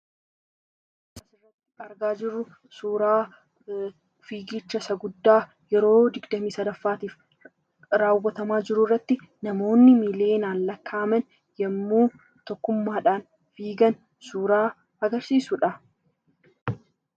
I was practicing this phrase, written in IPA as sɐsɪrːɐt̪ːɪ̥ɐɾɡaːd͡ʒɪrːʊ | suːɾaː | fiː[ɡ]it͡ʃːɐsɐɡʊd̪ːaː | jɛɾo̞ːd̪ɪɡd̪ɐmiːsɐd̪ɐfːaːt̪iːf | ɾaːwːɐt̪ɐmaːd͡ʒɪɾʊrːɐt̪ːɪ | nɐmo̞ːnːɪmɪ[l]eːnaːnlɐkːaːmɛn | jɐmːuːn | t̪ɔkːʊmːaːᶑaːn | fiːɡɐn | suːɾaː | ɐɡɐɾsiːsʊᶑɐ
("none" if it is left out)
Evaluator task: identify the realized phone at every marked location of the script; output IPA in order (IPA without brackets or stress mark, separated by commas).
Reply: ɡ, l